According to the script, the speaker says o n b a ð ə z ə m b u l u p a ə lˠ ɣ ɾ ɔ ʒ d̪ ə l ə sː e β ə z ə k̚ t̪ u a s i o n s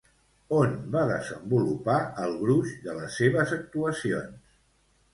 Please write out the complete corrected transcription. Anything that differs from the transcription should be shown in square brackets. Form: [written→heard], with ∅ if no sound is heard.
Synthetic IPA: o n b a ð ə z ə m b u l u p a ə lˠ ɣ ɾ [ɔ→u] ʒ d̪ ə l ə sː e β ə z ə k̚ t̪ u [a→ə] s i o n s